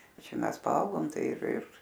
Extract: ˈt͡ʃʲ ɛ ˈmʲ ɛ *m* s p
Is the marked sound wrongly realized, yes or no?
yes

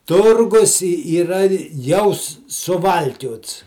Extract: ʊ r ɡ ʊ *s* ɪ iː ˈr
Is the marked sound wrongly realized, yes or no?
no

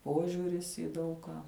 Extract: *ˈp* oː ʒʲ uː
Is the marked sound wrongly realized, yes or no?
no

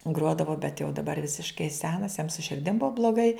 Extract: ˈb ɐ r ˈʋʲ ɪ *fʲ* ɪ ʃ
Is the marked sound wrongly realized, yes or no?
yes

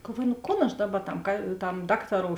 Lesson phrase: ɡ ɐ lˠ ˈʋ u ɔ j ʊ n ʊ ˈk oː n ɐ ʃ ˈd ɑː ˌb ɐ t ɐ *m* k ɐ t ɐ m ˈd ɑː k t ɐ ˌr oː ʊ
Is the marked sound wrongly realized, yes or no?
no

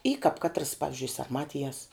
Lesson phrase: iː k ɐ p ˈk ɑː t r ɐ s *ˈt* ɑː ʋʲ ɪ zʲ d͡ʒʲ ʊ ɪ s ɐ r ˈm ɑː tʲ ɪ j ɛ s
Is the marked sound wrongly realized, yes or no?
yes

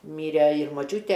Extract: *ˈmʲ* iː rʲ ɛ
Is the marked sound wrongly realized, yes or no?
no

